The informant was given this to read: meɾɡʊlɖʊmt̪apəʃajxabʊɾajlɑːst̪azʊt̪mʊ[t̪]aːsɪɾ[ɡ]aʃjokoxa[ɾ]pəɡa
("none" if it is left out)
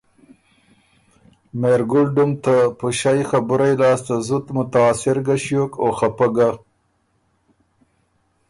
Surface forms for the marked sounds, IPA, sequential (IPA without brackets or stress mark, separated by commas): t̪, ɡ, none